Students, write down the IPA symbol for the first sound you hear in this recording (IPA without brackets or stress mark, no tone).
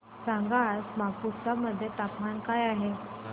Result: s